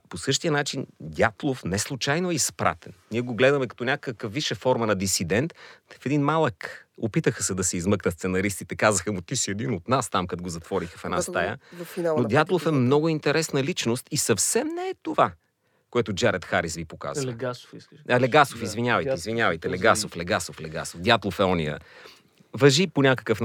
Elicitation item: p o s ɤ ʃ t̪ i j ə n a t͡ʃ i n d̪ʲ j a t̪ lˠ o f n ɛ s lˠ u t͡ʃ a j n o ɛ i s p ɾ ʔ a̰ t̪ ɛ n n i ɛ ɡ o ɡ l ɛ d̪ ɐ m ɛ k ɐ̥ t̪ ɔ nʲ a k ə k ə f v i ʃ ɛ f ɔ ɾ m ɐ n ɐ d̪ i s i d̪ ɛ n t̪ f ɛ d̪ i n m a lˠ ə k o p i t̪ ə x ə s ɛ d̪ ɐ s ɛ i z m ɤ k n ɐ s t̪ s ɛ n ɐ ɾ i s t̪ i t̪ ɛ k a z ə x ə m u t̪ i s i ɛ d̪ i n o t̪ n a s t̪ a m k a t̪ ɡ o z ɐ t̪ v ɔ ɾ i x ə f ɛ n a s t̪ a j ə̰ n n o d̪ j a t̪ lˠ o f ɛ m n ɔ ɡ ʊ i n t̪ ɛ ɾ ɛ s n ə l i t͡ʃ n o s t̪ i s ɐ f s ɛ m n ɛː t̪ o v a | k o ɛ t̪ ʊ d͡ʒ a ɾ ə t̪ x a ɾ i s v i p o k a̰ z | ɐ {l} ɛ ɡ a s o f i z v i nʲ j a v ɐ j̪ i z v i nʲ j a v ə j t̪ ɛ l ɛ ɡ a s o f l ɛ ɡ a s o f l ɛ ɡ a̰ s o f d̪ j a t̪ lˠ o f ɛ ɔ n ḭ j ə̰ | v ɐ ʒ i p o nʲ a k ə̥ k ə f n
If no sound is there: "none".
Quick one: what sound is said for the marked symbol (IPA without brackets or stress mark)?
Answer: l